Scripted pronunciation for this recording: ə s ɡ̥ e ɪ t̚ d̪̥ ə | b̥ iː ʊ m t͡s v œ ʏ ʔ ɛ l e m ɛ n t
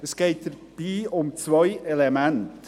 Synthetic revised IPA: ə s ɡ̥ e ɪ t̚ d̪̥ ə | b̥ iː ʊ m t͡s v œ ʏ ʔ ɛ l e m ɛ n t